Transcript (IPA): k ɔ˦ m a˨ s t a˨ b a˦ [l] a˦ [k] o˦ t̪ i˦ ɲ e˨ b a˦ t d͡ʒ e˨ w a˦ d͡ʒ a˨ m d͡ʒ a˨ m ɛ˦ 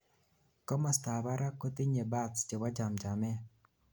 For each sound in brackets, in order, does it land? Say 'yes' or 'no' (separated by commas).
no, yes